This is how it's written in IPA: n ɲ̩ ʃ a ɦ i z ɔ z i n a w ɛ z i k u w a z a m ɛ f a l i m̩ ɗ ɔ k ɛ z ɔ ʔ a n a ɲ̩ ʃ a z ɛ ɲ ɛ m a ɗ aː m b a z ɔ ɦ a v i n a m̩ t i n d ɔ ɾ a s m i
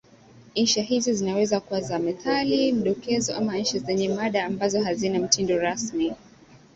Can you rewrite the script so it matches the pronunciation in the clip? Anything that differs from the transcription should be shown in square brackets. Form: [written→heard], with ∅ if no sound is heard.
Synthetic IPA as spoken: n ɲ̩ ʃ a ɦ i z ɔ z i n a w ɛ z [i→a] k u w a z a m ɛ [f→θ] a l i m̩ ɗ ɔ k ɛ z ɔ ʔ a [n→m] a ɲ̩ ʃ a z ɛ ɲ ɛ m a ɗ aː m b a z ɔ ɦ a [v→z] i n a m̩ t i n d ɔ ɾ a s m i